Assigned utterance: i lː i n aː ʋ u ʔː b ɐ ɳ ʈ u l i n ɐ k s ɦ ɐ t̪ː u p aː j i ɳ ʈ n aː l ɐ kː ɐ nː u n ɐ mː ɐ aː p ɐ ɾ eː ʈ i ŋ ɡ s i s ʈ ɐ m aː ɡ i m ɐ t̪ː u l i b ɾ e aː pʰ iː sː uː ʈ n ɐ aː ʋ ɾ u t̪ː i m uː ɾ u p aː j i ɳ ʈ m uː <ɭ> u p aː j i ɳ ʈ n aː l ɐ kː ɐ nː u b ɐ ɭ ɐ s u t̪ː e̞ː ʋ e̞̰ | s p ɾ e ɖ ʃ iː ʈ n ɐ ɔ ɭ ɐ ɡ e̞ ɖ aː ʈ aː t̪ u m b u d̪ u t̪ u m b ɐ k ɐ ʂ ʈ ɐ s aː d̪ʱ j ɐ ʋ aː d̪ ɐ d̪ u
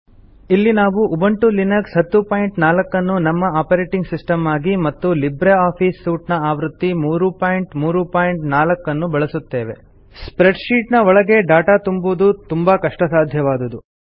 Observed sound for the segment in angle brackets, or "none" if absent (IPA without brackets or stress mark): ɾ